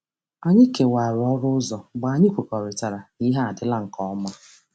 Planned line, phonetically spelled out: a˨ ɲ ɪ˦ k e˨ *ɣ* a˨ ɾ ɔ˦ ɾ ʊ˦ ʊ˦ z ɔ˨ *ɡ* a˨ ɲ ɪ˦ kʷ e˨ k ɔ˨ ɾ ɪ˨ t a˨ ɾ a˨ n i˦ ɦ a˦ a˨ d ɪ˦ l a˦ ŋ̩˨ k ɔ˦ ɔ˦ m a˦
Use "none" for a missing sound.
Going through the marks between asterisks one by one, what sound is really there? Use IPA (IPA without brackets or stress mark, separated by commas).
w, ɡ͡b